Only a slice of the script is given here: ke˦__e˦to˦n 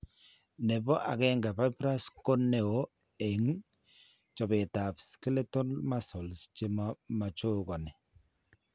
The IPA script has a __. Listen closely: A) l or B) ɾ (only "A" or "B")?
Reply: A